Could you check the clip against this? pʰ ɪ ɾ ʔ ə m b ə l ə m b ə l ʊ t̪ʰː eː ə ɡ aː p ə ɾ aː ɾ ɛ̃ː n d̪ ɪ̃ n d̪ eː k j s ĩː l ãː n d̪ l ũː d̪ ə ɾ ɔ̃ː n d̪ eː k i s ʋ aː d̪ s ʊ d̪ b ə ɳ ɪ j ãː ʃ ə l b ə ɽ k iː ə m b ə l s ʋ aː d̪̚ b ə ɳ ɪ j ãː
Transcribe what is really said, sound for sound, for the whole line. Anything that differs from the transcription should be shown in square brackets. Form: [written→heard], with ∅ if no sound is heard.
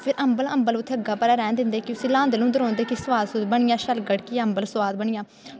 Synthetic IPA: pʰ ɪ ɾ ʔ ə m b ə l ə m b ə l ʊ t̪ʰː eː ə ɡ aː p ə ɾ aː ɾ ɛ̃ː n d̪ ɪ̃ n d̪ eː k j s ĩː l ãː n d̪ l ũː d̪ ə ɾ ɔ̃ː n d̪ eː k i s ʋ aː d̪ s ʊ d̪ b ə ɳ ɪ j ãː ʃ ə l [b→ɡ] ə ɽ k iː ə m b ə l s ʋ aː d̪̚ b ə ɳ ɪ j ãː